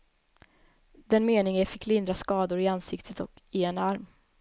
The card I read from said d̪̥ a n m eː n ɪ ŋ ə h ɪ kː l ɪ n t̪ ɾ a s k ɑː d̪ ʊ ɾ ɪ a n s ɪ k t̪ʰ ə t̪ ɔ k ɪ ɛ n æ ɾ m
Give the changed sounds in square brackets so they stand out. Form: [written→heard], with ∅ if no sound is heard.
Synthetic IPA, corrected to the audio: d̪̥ [a→ɛ] n m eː n ɪ ŋ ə [h→f] ɪ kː l ɪ n [t̪→d̪] ɾ a s k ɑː d̪ ʊ ɾ ɪ a n s ɪ k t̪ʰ ə t̪ ɔ k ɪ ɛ n [æ→a] ɾ m